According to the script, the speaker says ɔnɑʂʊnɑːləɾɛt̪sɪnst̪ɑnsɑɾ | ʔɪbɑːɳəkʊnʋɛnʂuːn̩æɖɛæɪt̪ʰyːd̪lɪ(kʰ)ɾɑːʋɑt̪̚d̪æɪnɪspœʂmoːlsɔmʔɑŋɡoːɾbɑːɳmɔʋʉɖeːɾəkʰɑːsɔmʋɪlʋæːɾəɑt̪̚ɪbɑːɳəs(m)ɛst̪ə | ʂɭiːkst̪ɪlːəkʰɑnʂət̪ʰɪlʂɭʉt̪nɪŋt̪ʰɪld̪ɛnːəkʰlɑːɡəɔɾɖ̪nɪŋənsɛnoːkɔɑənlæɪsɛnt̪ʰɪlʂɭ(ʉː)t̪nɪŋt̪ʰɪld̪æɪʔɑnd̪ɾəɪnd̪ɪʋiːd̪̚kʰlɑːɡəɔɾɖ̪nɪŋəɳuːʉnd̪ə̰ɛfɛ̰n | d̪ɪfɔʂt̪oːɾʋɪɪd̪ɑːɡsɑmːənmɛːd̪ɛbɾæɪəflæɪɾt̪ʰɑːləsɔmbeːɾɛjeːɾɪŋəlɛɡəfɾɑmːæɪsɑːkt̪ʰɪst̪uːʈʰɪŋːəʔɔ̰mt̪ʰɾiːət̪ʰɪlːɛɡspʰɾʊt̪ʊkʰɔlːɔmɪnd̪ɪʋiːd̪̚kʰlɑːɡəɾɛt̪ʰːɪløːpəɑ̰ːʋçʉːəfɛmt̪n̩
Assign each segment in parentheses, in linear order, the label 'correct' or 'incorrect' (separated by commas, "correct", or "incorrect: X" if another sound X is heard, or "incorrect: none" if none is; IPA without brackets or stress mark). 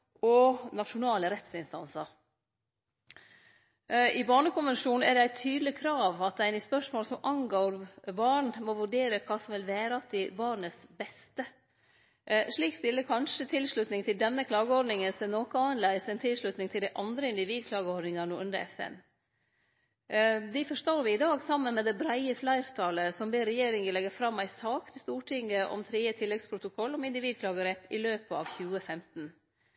correct, incorrect: b, incorrect: ʉ